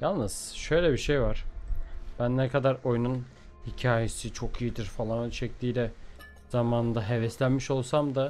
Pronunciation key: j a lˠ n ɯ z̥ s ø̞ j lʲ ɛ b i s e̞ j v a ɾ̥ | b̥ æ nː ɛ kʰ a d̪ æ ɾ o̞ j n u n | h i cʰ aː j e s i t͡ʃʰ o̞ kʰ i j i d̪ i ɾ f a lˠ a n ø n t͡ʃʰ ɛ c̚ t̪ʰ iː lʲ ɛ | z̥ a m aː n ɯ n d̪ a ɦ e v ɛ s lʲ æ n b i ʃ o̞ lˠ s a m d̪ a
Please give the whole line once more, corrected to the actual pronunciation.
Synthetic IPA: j a lˠ n ɯ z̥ ʃ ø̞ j lʲ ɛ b i ʃ e̞ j v a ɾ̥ | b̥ æ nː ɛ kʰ a d̪ a ɾ o̞ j n u n | h i cʰ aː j e s i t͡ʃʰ o̞ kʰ i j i d̪ i ɾ f a lˠ a n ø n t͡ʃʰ ɛ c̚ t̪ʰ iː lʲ ɛ | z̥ a m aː n ɯ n d̪ a ɦ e v ɛ s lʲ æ n m i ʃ o̞ lˠ s a m d̪ a